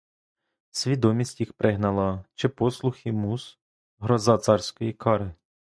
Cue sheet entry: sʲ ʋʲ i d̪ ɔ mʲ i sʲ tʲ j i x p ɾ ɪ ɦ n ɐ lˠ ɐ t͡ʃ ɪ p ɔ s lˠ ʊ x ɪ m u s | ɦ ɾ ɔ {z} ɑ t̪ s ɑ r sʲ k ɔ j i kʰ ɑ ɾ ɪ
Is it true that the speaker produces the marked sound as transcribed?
yes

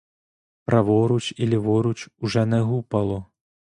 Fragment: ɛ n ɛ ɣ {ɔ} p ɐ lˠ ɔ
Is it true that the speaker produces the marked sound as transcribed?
no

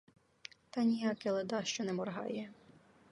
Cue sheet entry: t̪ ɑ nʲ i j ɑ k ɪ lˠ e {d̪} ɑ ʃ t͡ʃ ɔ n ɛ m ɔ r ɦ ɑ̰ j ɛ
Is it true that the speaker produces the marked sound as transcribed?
yes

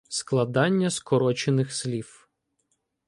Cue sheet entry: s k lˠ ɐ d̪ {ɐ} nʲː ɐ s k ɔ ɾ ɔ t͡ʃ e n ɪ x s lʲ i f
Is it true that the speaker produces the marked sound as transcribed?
no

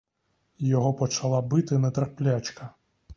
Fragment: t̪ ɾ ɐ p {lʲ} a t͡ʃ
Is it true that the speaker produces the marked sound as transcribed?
yes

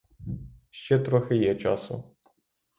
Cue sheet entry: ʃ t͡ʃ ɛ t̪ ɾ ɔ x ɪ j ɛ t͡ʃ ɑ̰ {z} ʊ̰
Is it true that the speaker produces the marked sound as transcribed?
no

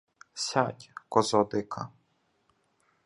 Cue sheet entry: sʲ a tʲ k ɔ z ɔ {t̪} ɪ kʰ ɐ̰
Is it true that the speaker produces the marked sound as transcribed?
no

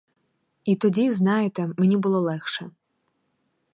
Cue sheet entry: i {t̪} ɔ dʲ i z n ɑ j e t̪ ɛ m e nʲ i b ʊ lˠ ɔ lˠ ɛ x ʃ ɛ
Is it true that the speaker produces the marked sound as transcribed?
yes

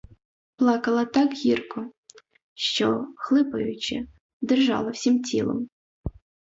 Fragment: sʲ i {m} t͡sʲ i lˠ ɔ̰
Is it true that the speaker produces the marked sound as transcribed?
yes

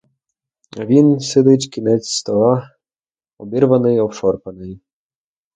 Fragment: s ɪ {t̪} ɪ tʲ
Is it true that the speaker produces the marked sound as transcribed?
no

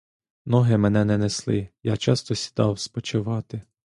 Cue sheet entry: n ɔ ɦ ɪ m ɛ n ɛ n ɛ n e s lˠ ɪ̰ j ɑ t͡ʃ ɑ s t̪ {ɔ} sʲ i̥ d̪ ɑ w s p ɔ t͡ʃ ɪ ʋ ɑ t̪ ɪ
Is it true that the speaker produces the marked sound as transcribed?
yes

